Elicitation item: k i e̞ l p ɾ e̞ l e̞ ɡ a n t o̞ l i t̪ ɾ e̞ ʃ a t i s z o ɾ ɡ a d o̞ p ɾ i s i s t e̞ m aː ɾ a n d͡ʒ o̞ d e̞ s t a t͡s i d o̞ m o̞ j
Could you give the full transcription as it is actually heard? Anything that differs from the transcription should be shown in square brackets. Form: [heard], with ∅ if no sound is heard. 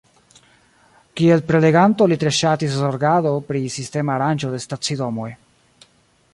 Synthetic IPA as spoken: k i e̞ l p ɾ e̞ l e̞ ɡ a n t o̞ l i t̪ ɾ e̞ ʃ a t i s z o ɾ ɡ a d o̞ p ɾ i s i s t e̞ m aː ɾ a n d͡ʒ o̞ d e̞ s t a t͡s i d o̞ m o̞ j